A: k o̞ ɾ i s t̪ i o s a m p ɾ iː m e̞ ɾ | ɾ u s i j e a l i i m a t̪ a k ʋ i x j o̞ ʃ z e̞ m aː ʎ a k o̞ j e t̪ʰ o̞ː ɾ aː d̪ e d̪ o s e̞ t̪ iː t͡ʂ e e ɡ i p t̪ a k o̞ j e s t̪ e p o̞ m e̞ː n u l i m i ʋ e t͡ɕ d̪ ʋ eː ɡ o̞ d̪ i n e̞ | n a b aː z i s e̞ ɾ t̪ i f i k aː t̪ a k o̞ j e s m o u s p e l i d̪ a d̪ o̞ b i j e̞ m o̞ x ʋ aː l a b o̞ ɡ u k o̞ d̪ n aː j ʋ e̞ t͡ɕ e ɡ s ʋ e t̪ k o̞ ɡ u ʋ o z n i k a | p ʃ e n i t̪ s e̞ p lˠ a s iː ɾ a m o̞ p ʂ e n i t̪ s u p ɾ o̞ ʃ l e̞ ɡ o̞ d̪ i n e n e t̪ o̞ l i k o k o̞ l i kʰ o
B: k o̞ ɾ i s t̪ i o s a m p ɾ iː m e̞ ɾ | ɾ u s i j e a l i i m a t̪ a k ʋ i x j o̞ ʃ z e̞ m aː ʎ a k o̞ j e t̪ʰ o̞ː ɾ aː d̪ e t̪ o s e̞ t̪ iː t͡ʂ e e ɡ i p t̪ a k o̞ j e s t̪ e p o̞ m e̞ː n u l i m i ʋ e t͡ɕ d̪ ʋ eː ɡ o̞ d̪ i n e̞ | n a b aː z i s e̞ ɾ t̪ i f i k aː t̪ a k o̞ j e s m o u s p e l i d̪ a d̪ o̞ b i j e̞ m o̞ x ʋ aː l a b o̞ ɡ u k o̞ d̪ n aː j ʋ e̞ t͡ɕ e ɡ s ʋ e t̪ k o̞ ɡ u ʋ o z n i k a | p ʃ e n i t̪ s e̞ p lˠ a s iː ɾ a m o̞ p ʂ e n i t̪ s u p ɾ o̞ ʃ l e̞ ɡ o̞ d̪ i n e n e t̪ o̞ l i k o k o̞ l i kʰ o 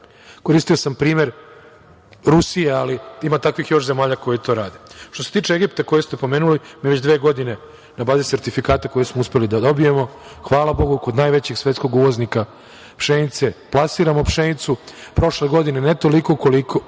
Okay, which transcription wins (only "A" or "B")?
B